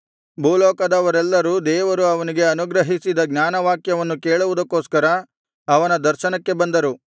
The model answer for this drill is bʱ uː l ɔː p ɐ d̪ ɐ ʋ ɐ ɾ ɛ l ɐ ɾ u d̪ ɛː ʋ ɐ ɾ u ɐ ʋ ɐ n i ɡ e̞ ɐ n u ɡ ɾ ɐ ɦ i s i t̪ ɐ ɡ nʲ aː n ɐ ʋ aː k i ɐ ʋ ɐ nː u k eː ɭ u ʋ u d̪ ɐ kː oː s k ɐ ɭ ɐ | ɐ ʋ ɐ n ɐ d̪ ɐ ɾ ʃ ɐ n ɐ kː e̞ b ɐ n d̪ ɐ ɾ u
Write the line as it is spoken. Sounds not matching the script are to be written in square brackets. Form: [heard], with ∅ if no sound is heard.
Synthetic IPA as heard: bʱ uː l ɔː [k] ɐ d̪ ɐ ʋ ɐ ɾ ɛ [lː] ɐ ɾ u d̪ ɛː ʋ ɐ ɾ u ɐ ʋ ɐ n i ɡ e̞ ɐ n u ɡ ɾ ɐ ɦ i s i [d̪] ɐ ɡ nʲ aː n ɐ ʋ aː k [j] ɐ ʋ ɐ nː u k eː ɭ u ʋ u d̪ ɐ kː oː s k ɐ [ɾ] ɐ | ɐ ʋ ɐ n ɐ d̪ ɐ ɾ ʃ ɐ n ɐ kː e̞ b ɐ n d̪ ɐ ɾ u

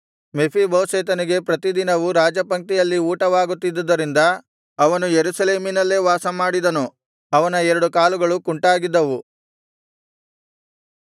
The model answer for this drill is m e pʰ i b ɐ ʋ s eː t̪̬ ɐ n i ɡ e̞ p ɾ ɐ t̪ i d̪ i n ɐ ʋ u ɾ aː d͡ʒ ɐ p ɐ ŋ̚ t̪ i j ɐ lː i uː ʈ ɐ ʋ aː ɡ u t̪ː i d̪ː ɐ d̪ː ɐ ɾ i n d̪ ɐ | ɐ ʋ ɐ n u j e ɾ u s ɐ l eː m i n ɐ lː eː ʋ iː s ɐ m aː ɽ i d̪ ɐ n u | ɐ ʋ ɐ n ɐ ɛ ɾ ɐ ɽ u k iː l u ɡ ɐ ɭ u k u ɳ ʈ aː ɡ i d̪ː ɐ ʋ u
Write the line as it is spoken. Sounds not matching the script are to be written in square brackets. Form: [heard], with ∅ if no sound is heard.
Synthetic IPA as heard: m e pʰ i b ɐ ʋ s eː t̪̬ ɐ n i ɡ e̞ p ɾ ɐ t̪ i d̪ i n ɐ ʋ u ɾ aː d͡ʒ ɐ p ɐ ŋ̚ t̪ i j ɐ lː i uː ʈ ɐ ʋ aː ɡ u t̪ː i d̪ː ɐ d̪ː ɐ ɾ i n d̪ ɐ | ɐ ʋ ɐ n u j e ɾ u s ɐ l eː m i n ɐ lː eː ʋ [aː] s ɐ m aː ɽ i d̪ ɐ n u | ɐ ʋ ɐ n ɐ ɛ ɾ ɐ ɽ u k [aː] l u ɡ ɐ ɭ u k u ɳ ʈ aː ɡ i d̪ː ɐ ʋ u

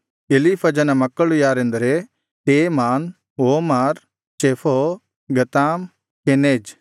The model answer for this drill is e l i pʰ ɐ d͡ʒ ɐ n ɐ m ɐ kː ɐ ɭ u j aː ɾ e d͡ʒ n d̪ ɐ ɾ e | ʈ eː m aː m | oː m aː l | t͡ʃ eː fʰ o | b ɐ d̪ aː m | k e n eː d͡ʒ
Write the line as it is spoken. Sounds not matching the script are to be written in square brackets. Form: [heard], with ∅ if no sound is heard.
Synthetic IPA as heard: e l i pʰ ɐ d͡ʒ ɐ n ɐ m ɐ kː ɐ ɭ u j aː ɾ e [∅] n d̪ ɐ ɾ e | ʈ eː m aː [n] | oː m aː [ɾ] | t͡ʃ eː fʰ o | [ɡ] ɐ [t̪] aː m | k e n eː d͡ʒ

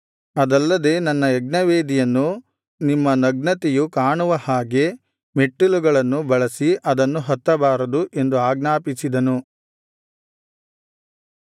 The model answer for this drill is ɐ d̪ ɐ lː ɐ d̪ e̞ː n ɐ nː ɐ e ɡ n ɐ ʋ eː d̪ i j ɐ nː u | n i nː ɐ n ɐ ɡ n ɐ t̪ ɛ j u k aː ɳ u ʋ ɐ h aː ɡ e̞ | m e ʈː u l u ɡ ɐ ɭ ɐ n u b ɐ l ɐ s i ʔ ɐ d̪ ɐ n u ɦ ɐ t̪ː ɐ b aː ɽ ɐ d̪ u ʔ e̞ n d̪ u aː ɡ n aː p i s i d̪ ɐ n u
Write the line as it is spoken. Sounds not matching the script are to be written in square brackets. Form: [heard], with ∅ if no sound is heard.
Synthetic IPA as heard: ɐ d̪ ɐ lː ɐ d̪ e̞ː n ɐ nː ɐ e ɡ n ɐ ʋ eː d̪ i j ɐ nː u | n i [mː] ɐ n ɐ ɡ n ɐ t̪ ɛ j u k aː ɳ u ʋ ɐ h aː ɡ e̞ | m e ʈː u l u ɡ ɐ ɭ ɐ [nː] u b ɐ [ɭ] ɐ s i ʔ ɐ d̪ ɐ [nː] u ɦ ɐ t̪ː ɐ b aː [ɾ] ɐ d̪ u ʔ e̞ n d̪ u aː ɡ n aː p i s i d̪ ɐ n u

